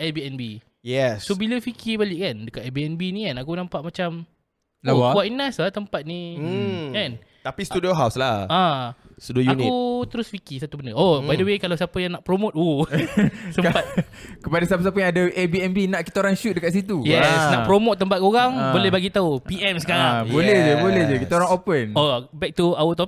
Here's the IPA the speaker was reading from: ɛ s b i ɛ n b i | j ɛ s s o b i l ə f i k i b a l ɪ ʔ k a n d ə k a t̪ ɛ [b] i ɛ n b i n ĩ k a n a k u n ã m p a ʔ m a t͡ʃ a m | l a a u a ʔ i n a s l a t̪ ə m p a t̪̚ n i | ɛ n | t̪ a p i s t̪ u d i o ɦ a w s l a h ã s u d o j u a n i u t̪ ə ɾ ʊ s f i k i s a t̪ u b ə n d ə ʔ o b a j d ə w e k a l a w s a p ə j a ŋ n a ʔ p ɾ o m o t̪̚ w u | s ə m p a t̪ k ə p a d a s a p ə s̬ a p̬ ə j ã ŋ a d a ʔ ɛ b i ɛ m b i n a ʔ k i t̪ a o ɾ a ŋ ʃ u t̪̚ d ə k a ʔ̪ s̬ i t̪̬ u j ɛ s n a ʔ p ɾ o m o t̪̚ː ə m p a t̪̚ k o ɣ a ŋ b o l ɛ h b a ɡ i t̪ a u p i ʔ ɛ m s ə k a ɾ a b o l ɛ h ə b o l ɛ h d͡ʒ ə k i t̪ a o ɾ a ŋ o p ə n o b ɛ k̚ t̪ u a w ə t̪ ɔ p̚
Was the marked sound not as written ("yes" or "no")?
no